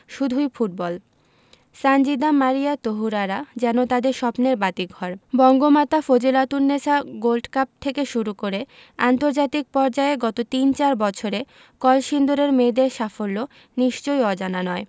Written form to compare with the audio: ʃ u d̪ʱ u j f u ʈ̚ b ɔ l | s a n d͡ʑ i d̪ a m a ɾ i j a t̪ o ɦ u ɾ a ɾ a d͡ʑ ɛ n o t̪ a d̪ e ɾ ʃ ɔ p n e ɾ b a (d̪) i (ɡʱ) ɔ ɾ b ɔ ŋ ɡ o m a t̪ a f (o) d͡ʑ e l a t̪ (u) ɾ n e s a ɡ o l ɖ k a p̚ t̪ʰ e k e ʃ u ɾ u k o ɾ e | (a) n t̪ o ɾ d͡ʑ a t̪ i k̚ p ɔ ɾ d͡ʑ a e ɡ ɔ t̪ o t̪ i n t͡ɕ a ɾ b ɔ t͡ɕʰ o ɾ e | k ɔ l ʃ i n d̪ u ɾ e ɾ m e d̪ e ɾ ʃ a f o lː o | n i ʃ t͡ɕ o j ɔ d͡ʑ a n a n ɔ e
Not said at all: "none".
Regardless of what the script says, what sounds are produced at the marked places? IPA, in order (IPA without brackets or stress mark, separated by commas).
t̪, ɡʱ, o, u, a